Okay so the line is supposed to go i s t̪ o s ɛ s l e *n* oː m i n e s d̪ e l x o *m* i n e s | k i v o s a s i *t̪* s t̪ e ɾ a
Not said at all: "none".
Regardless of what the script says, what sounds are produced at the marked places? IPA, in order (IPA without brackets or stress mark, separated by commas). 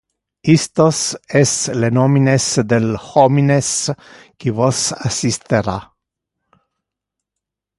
n, m, none